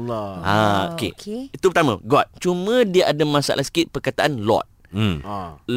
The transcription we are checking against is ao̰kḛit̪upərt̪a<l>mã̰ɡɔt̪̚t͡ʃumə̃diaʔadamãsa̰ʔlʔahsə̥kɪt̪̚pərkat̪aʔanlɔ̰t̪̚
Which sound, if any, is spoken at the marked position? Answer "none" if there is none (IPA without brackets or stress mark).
none